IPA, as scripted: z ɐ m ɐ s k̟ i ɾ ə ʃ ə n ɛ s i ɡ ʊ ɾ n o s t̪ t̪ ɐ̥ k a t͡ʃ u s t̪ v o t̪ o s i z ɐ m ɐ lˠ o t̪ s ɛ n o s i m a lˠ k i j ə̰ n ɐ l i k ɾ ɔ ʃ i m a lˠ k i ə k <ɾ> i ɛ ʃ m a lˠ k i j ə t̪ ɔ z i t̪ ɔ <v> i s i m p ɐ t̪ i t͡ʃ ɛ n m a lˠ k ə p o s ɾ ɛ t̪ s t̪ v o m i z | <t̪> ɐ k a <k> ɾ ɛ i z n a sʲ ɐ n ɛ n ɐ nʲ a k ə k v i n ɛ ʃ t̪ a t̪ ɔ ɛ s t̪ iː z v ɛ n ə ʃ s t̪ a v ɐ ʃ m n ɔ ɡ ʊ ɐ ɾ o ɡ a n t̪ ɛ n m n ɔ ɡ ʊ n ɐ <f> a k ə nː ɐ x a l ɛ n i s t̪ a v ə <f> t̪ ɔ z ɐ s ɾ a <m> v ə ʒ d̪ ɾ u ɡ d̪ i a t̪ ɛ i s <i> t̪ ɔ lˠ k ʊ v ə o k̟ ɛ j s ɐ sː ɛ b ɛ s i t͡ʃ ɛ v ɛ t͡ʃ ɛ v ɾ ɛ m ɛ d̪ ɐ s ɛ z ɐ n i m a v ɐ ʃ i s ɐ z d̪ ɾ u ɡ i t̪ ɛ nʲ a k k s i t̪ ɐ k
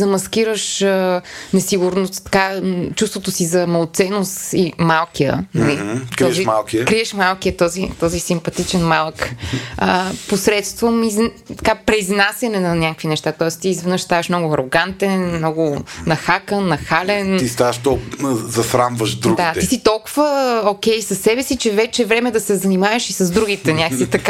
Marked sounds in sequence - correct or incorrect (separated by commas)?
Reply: correct, incorrect, correct, incorrect, incorrect, incorrect, correct, correct